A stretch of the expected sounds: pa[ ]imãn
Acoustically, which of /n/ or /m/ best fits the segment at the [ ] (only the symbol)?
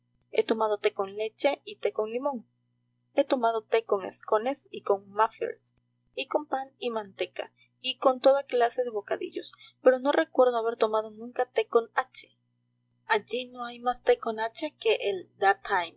n